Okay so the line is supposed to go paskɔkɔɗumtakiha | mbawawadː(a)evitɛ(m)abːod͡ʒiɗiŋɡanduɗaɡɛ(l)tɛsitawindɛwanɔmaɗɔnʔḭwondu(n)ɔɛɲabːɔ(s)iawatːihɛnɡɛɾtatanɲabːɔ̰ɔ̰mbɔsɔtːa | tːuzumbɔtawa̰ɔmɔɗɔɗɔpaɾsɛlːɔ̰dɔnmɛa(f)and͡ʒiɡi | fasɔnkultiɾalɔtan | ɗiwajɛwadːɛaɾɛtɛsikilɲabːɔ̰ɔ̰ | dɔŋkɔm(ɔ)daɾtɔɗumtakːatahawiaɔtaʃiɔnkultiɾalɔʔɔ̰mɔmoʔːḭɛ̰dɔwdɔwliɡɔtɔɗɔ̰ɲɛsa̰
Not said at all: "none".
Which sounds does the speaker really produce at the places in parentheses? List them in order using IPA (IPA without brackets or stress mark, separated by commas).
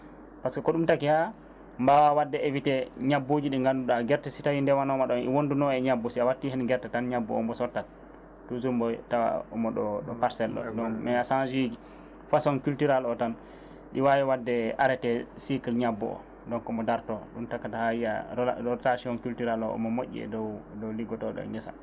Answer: ɛ, ɲ, ɾ, n, s, s, ɔ